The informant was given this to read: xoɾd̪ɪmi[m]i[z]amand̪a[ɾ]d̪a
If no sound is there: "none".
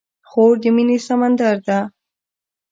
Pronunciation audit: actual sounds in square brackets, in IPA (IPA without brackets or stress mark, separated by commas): n, s, ɾ